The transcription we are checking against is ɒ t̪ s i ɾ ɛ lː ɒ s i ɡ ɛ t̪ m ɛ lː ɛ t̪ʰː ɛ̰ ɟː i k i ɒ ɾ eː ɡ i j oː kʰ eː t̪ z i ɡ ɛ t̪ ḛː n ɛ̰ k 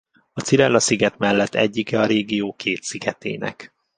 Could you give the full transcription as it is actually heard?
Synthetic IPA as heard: ɒ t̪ s i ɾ ɛ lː ɒ s i ɡ ɛ t̪ m ɛ lː ɛ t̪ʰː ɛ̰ ɟː i k ɛ ɒ ɾ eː ɡ i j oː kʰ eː t̪ s i ɡ ɛ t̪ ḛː n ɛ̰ k

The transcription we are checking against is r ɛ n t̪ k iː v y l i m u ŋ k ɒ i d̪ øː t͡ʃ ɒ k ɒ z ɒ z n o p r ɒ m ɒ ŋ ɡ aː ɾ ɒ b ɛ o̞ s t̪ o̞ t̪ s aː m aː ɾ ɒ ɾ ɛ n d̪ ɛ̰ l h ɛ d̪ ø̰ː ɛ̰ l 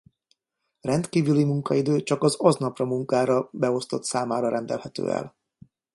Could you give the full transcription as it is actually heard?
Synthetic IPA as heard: r ɛ n t̪ k iː v y l i m u ŋ k ɒ i d̪ øː t͡ʃ ɒ k ɒ z ɒ z n ɒ p r ɒ m u ŋ k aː ɾ ɒ b ɛ o̞ s t̪ o̞ t̪ s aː m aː ɾ ɒ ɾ ɛ n d̪ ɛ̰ l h ɛ t̪ ø̰ː ɛ̰ l

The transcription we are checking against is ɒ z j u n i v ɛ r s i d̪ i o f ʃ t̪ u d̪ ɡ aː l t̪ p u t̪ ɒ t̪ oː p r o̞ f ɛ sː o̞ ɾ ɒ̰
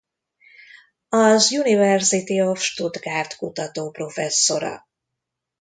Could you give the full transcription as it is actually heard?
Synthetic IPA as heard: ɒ z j u n i v ɛ r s i t̪ i o f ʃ t̪ u d̪ ɡ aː r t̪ k u t̪ ɒ t̪ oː p r o̞ f ɛ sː o̞ ɾ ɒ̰

